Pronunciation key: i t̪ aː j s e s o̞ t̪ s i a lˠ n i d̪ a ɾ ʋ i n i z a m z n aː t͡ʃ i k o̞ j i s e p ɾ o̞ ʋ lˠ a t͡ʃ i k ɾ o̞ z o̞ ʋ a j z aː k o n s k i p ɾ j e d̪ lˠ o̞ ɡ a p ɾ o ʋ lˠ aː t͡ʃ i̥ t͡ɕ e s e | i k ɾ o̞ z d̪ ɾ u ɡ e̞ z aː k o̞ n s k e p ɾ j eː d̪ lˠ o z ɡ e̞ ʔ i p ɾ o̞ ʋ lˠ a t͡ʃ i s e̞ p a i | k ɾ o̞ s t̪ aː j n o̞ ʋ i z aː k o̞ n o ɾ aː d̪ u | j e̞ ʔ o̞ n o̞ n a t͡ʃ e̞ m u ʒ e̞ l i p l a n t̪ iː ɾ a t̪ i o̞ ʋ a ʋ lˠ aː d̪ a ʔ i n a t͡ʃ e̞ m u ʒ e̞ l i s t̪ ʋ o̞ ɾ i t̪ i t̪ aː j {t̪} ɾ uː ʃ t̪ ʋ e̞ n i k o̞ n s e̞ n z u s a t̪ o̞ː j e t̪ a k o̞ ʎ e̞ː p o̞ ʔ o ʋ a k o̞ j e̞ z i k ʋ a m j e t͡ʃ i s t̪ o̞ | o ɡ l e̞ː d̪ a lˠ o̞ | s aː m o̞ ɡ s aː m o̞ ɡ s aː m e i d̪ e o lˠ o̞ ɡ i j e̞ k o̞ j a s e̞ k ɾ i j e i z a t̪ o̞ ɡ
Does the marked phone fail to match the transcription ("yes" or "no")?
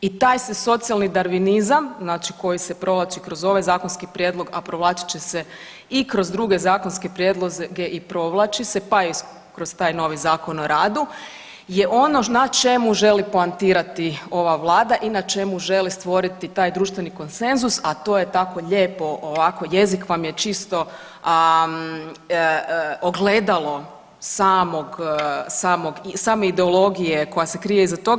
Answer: yes